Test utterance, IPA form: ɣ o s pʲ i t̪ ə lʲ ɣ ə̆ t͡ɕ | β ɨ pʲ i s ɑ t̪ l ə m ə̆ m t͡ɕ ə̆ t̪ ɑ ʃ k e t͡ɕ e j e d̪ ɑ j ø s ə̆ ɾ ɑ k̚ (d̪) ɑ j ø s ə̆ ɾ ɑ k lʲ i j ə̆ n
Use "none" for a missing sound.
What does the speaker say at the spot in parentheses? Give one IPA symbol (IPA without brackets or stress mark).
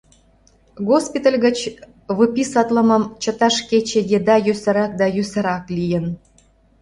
d̪